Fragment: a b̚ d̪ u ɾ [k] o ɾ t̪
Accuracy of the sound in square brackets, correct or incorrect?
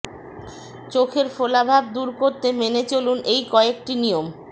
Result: correct